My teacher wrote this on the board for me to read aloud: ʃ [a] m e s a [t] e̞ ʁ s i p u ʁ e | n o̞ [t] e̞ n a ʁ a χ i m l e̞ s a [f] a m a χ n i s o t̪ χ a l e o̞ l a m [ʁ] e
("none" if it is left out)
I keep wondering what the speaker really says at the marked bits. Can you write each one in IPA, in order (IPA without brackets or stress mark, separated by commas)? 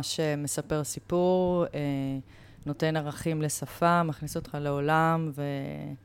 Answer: e, p, t, f, v